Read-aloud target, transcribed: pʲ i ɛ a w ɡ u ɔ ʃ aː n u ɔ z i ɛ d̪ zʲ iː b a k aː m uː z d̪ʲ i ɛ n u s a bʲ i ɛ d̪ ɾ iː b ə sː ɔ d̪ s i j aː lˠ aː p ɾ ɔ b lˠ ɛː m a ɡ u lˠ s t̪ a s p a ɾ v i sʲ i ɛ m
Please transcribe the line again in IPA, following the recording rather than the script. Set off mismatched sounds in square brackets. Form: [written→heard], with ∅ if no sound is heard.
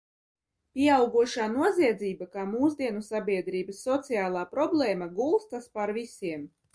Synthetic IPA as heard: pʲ i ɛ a w ɡ u ɔ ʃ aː n u ɔ z i ɛ d̪ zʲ iː b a k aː m uː z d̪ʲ i ɛ n u s a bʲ i ɛ d̪ ɾ iː b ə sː ɔ [d̪→t̪] s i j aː lˠ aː p ɾ ɔ b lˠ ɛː m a ɡ u lˠ s t̪ a s p a ɾ v i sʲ i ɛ m